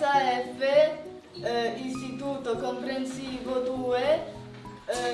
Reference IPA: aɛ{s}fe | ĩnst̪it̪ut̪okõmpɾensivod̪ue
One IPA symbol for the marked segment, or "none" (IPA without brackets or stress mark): none